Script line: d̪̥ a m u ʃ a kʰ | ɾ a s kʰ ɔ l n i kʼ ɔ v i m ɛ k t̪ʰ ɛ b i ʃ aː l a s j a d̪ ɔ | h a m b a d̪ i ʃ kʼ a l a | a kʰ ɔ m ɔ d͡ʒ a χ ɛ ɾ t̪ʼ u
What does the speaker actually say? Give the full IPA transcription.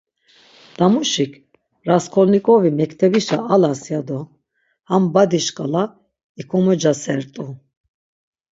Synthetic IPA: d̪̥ a m u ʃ i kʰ | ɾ a s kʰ ɔ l n i kʼ ɔ v i m ɛ k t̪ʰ ɛ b i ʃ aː l a s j a d̪ ɔ | h a m b a d̪ i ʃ kʼ a l a | i kʰ ɔ m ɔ d͡ʒ a s ɛ ɾ t̪ʼ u